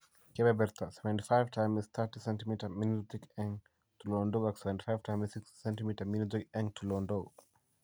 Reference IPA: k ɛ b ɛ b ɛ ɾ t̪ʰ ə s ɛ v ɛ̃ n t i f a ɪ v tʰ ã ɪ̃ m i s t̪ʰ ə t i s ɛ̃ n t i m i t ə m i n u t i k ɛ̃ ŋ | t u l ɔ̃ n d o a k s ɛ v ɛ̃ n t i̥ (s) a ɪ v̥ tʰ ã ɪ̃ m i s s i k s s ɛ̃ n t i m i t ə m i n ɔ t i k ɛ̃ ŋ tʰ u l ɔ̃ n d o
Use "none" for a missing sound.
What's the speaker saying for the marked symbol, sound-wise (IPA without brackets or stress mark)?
f